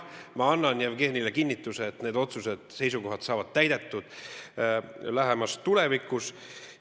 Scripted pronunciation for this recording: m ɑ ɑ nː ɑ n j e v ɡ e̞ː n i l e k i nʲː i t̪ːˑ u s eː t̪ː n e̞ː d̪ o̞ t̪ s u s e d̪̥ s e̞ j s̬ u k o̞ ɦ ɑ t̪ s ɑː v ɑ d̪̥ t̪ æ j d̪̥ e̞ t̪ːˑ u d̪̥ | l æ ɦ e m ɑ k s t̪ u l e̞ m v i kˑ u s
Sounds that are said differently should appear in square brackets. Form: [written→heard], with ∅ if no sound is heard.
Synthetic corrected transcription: m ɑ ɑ nː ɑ n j [e→æ] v ɡ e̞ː n i l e k i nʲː i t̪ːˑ u s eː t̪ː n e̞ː d̪ o̞ t̪ s u s e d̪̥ s e̞ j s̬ u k o̞ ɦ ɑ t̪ s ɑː v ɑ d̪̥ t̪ æ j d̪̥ e̞ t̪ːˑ u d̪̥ | l æ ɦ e m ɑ [k→∅] s t̪ u l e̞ [m→∅] v i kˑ u s